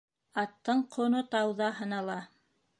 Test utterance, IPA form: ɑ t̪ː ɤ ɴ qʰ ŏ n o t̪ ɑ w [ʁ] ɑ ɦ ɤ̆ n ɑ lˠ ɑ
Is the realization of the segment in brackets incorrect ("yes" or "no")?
yes